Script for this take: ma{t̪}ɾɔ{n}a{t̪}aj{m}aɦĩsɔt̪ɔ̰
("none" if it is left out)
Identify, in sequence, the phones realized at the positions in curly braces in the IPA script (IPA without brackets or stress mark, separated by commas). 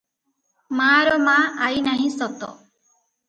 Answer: none, m, none, n